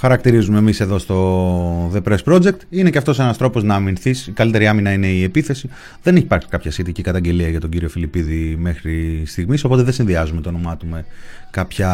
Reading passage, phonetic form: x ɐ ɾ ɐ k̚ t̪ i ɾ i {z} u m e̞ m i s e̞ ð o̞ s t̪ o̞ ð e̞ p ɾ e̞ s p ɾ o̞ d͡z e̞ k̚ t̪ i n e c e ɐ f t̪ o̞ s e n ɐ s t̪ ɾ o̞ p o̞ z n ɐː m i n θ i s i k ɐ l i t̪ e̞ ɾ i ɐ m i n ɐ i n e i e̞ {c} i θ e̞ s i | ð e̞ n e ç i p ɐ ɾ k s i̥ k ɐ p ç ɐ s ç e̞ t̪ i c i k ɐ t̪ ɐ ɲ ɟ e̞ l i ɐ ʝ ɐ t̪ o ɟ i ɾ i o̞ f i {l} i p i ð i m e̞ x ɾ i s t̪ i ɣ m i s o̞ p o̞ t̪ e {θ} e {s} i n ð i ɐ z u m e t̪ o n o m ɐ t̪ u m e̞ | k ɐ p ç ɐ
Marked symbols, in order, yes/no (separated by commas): yes, no, yes, no, yes